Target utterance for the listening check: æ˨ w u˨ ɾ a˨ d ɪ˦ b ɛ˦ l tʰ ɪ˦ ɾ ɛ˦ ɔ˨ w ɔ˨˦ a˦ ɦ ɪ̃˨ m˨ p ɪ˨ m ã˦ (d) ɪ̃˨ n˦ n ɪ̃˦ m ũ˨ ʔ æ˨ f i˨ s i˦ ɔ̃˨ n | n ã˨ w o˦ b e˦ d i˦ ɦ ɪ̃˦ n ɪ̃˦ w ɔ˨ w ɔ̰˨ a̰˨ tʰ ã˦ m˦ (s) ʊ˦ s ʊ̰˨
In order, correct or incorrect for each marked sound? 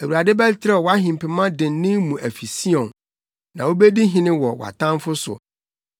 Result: correct, incorrect: f

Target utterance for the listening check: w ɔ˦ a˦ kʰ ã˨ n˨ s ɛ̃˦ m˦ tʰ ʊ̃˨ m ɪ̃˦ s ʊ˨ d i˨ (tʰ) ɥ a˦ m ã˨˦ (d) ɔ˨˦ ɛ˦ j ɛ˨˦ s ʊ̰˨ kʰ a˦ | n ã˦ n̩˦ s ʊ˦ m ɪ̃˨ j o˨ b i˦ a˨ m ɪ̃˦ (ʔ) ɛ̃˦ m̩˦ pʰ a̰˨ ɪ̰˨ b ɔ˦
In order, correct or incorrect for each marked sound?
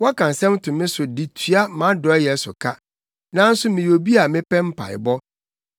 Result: correct, correct, incorrect: p

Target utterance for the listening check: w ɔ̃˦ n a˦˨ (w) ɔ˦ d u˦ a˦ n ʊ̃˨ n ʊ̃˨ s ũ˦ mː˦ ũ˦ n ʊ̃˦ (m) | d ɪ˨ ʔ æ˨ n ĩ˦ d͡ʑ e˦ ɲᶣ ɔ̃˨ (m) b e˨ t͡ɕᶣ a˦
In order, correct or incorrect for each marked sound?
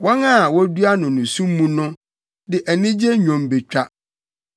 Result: correct, incorrect: none, correct

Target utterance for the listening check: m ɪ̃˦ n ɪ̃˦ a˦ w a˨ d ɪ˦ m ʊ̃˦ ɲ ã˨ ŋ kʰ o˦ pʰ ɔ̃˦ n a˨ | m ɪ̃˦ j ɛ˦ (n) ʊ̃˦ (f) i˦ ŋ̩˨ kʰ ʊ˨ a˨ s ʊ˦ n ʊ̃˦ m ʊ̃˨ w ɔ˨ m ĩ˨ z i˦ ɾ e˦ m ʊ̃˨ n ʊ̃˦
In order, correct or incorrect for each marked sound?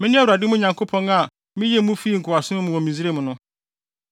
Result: incorrect: m, correct

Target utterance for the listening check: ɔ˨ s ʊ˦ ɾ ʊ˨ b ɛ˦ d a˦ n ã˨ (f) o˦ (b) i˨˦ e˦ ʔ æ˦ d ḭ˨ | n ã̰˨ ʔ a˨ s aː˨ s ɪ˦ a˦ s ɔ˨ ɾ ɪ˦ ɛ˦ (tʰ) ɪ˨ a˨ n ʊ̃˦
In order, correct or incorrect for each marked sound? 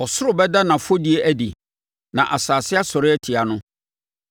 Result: correct, incorrect: d, correct

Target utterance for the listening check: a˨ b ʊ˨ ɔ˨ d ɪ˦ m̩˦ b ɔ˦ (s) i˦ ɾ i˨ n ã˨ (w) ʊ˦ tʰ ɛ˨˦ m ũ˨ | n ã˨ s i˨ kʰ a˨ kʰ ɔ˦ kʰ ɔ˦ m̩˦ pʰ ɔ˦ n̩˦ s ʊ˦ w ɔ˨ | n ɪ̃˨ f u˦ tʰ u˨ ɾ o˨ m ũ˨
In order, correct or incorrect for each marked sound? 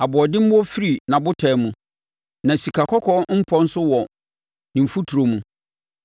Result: incorrect: f, incorrect: b

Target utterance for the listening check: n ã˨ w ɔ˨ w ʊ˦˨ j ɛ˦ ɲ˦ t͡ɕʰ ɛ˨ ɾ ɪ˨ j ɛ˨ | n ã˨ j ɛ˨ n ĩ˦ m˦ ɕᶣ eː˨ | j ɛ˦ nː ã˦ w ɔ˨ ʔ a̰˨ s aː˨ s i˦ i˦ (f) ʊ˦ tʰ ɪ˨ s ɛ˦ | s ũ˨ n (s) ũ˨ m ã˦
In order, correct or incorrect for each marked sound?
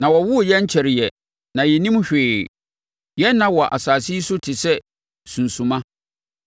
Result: incorrect: s, correct

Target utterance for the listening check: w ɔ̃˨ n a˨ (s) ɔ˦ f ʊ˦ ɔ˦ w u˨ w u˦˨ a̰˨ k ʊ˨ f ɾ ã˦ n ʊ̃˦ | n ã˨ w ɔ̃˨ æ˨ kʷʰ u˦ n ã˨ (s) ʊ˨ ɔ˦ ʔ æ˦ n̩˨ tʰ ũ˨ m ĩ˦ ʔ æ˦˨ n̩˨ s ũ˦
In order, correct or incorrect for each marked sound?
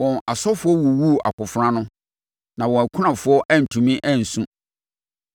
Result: correct, incorrect: f

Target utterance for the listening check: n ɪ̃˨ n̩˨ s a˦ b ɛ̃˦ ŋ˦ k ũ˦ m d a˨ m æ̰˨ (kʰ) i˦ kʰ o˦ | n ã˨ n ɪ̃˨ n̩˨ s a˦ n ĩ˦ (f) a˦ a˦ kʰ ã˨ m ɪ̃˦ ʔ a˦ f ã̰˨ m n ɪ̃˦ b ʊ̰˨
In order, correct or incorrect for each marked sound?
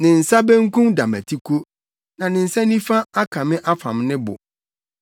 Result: incorrect: tʰ, correct

